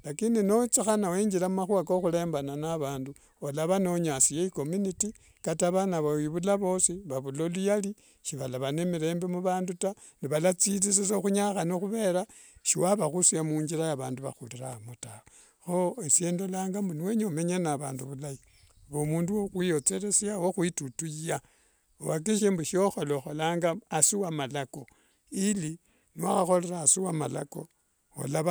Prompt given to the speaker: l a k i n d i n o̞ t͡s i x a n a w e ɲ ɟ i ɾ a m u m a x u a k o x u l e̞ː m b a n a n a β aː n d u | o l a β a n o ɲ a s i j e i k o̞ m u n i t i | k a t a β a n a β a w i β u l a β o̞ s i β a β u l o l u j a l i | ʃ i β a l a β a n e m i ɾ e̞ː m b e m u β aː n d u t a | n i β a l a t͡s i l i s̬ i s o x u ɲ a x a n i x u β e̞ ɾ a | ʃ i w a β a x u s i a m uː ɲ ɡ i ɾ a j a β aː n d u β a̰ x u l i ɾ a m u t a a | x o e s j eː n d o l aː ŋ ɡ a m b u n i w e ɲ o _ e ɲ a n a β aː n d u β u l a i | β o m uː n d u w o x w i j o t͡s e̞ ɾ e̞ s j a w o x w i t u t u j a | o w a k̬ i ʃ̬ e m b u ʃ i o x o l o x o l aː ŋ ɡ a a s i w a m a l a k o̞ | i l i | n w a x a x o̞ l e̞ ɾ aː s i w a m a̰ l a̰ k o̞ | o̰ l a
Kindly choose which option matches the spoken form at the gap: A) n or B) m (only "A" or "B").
B